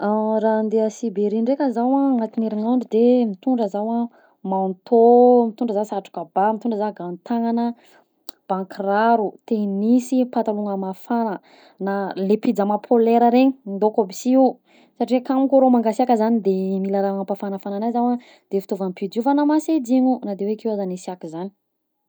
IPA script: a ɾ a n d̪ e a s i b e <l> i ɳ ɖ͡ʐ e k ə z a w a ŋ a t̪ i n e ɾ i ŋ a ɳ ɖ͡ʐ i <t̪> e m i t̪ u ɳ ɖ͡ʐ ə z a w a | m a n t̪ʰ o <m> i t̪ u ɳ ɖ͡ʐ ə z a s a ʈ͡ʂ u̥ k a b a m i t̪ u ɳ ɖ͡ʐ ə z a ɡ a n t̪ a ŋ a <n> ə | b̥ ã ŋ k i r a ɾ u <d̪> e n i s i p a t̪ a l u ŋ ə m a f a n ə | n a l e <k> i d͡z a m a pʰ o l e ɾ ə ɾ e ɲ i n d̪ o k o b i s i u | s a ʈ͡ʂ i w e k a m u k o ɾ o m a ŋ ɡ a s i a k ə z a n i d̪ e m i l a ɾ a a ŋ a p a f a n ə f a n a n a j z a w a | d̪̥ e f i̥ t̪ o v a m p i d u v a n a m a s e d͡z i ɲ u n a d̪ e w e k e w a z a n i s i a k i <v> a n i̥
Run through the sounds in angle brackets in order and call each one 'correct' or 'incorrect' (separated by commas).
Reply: incorrect, incorrect, correct, correct, incorrect, incorrect, incorrect